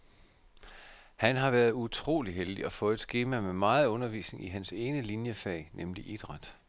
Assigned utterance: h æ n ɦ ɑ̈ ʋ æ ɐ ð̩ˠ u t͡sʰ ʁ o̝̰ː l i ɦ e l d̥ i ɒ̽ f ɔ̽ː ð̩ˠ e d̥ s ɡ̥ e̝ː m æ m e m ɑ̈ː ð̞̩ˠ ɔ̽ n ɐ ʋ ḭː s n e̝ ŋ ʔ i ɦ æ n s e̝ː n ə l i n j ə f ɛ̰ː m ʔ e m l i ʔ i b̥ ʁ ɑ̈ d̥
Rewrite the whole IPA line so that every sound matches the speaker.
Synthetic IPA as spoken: h æ n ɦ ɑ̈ ʋ æ ɐ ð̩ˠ u t͡sʰ ʁ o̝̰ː l i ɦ e l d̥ i ɒ̽ f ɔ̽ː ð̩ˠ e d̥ s ɡ̥ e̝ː m æ m e m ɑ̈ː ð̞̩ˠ ɔ̽ n ɐ ʋ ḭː s n e̝ ŋ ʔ i ɦ æ n s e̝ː n ə l i n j ə f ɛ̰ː n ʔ e m l i ʔ i d̥ ʁ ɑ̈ d̥